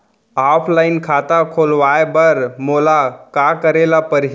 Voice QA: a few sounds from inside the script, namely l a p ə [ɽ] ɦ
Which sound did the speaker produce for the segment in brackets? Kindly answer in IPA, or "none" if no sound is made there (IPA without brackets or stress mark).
ɾ